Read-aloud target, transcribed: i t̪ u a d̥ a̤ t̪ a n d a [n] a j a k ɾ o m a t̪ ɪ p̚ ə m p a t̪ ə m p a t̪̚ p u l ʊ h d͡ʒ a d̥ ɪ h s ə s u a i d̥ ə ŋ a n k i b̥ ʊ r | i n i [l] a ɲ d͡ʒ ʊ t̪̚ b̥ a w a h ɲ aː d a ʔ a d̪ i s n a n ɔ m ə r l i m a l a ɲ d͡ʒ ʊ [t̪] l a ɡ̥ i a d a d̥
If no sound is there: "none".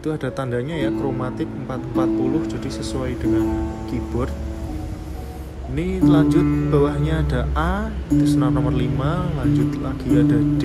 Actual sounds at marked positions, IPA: ɲ, l, t̪

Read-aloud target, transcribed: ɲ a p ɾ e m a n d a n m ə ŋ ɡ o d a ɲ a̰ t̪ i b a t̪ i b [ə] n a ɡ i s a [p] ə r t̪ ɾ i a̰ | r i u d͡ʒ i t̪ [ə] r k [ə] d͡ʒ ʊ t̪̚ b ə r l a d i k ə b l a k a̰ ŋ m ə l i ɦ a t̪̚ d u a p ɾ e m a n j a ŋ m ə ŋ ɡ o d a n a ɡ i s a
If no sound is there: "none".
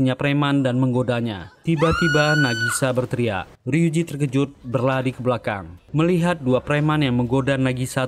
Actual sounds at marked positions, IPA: a, b, ə, ə

